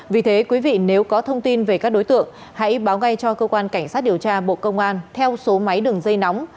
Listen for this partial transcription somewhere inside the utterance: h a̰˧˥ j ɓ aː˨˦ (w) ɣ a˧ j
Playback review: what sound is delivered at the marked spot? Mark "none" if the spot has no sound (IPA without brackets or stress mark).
w